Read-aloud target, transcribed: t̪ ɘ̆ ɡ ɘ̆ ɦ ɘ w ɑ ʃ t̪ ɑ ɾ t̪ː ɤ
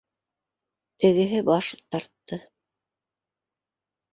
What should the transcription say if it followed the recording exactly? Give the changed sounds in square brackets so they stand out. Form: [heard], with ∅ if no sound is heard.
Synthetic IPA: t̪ ɘ̆ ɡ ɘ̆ ɦ ɘ [b] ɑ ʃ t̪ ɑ ɾ t̪ː ɤ